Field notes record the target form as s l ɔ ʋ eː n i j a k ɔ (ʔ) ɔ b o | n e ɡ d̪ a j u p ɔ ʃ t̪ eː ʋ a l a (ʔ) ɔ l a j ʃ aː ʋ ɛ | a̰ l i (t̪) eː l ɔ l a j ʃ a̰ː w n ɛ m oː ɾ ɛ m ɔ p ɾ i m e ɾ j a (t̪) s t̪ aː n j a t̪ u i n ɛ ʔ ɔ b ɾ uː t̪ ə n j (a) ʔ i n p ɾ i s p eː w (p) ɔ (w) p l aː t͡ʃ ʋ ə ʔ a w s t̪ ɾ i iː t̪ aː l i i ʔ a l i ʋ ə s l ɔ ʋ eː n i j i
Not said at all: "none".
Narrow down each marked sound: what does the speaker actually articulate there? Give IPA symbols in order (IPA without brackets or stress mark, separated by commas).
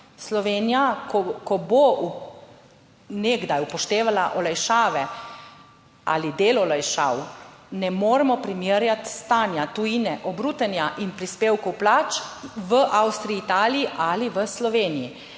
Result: k, ʔ, d̪, t̪, a, k, w